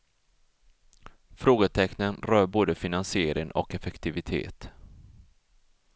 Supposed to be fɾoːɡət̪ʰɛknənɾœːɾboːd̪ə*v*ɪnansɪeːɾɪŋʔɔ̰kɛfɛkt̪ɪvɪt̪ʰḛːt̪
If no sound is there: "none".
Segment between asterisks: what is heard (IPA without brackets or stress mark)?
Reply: f